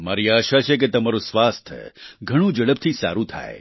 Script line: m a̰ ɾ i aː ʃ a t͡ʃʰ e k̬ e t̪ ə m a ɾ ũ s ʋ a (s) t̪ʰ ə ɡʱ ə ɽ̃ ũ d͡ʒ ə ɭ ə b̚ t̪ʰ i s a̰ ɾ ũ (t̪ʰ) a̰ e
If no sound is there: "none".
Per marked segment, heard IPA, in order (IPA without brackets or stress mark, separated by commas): s, t̪ʰ